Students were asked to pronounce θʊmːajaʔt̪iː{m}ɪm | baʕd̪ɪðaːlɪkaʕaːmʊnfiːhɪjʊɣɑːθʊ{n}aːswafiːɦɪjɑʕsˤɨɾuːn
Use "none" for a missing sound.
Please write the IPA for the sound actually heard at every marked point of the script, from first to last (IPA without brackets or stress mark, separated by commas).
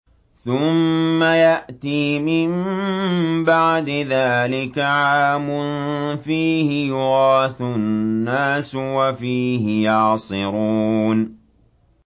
m, nː